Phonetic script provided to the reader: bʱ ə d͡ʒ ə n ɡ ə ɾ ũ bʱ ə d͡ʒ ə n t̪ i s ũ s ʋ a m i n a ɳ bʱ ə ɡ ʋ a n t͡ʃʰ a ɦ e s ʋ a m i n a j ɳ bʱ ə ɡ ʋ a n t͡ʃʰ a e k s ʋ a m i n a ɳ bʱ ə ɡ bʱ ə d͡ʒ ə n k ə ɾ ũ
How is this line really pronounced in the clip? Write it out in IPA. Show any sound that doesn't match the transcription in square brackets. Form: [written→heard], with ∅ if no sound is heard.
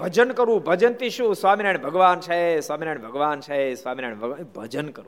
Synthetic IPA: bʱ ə d͡ʒ ə n [ɡ→k] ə ɾ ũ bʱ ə d͡ʒ ə n t̪ i [s→ʃ] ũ s ʋ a m i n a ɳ bʱ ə ɡ ʋ a n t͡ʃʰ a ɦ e s ʋ a m i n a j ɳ bʱ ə ɡ ʋ a n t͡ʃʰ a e [k→∅] s ʋ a m i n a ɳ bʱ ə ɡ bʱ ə d͡ʒ ə n k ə ɾ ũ